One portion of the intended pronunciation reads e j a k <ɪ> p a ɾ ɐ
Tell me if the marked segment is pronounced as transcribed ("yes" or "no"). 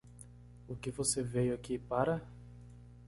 no